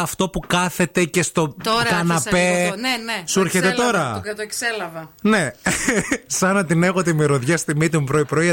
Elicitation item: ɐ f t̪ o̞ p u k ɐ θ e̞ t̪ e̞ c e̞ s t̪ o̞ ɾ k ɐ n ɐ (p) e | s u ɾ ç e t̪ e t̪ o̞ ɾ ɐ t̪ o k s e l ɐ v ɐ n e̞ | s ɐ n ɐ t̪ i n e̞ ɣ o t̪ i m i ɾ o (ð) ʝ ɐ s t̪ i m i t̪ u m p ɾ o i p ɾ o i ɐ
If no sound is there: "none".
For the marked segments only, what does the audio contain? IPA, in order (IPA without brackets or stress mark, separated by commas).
p, ð